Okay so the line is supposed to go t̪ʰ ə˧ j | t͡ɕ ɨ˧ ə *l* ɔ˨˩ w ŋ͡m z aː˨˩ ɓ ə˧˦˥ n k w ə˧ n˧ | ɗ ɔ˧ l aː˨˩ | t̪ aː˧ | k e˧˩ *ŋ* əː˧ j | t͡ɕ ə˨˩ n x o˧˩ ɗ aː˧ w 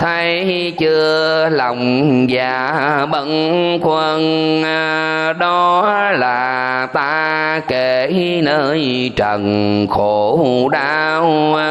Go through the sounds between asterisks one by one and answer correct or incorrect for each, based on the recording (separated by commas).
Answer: correct, incorrect